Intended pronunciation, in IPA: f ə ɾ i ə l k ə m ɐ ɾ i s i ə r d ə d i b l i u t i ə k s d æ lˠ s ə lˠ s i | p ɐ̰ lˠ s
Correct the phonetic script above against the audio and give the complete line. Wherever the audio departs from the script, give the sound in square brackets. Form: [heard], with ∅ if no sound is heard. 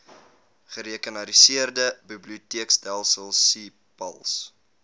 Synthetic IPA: [χ] ə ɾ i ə [∅] k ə [n] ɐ ɾ i s i ə r d ə [b] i b l i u t i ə k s d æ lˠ s ə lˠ s i | p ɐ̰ lˠ s

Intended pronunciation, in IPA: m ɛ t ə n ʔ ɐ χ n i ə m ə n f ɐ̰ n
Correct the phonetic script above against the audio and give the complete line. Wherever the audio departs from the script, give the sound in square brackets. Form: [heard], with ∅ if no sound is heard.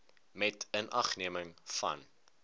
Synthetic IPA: m ɛ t ə n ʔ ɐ χ n i ə m ə [ŋ] f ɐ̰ n

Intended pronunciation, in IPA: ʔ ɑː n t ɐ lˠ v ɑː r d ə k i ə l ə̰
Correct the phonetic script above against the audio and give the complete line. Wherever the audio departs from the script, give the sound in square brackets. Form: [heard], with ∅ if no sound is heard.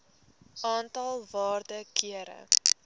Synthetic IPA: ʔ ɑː n t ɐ lˠ v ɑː r d ə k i ə [ɾ] ə̰

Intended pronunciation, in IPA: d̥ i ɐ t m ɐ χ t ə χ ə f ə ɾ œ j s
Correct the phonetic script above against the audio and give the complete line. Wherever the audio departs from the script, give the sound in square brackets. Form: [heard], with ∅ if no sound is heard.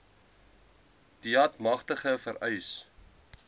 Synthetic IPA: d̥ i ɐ t m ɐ χ t ə χ ə f ə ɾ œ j s

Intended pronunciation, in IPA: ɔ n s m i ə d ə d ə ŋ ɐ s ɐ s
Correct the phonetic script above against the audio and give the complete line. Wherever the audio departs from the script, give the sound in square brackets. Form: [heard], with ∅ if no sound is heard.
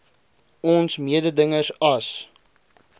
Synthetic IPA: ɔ n s m i ə d ə d ə ŋ [ə] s ɐ s

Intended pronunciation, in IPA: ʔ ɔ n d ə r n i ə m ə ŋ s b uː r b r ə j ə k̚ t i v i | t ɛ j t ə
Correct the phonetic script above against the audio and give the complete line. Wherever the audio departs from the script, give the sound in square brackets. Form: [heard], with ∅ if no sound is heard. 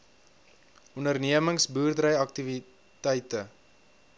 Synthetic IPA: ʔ ɔ n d ə r n i ə m ə ŋ s b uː r [d] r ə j [ɐ] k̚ t i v i | t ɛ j t ə

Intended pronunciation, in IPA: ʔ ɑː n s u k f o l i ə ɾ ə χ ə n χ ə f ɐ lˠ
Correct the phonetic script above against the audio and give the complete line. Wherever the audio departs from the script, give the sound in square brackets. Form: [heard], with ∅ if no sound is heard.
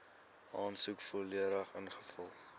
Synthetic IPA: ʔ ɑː n s u k f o l i ə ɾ ə χ ə n χ ə f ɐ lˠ

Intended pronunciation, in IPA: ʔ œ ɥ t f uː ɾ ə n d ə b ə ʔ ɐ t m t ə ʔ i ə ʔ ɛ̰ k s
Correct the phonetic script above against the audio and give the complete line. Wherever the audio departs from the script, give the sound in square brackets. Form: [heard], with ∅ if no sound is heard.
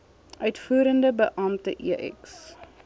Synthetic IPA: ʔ œ ɥ t f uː ɾ ə n d ə b ə ʔ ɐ [∅] m t ə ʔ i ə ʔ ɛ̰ k s

